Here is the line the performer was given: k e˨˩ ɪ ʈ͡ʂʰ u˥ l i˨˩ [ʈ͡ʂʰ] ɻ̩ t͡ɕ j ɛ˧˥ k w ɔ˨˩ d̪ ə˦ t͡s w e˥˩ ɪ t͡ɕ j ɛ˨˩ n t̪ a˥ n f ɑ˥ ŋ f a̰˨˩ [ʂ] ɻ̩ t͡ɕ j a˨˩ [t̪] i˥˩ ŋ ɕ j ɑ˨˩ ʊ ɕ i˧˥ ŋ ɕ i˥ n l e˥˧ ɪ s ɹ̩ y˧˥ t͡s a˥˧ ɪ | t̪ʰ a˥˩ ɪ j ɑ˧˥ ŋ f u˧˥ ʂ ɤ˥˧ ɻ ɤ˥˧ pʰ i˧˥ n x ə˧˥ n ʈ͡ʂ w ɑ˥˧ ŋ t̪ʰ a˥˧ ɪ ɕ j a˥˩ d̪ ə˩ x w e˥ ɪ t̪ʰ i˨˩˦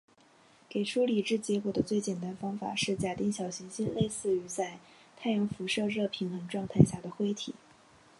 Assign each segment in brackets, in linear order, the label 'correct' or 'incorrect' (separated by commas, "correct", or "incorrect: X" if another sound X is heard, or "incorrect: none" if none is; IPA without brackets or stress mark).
incorrect: ʈ͡ʂ, correct, correct